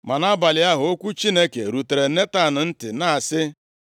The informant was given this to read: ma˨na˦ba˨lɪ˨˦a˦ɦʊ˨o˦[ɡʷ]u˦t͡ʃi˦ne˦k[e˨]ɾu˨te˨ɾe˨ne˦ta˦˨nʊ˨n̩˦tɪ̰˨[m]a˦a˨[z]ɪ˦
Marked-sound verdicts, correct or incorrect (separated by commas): incorrect, correct, incorrect, incorrect